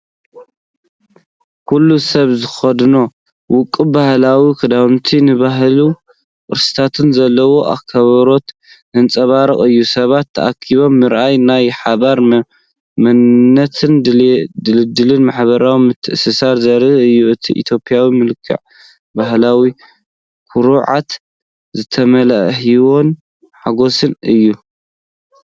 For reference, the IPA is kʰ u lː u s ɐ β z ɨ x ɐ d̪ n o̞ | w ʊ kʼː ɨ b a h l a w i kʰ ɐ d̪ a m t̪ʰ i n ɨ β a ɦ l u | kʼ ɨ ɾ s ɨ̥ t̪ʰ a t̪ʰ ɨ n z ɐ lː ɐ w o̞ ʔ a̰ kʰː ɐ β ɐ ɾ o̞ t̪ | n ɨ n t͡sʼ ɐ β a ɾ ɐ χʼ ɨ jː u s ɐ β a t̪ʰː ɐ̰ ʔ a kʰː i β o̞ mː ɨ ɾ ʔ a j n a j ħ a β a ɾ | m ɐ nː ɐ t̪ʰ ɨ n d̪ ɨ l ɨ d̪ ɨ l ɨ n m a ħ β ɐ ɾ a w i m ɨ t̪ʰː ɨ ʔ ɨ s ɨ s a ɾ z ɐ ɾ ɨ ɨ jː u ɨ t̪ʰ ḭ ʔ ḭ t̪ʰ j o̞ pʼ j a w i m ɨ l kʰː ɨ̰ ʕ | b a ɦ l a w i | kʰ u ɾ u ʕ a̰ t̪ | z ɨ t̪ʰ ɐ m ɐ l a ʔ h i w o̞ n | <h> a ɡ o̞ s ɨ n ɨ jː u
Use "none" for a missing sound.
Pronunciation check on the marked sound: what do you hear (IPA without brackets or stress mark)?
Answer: ħ